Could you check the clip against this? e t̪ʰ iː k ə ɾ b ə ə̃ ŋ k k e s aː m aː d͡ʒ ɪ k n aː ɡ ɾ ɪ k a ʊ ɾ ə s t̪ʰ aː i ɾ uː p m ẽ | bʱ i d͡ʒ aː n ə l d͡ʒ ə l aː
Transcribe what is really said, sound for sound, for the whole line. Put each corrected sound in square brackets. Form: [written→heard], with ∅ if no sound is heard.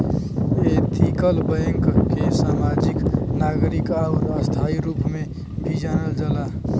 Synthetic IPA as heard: e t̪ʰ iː k ə [ɾ→l] b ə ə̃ ŋ k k e s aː m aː d͡ʒ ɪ k n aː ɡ ɾ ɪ k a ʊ ɾ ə s t̪ʰ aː i ɾ uː p m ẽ | bʱ i d͡ʒ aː n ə l d͡ʒ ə l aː